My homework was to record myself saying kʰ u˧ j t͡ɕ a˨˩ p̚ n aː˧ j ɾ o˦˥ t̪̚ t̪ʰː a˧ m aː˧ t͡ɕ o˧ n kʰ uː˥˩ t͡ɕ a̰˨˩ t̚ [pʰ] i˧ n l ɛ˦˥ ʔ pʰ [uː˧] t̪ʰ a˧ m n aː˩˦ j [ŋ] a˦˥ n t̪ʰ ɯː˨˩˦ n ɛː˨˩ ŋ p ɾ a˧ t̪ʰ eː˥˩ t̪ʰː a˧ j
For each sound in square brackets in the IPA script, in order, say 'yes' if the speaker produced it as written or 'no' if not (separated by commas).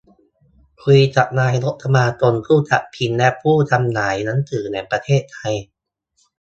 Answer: yes, no, no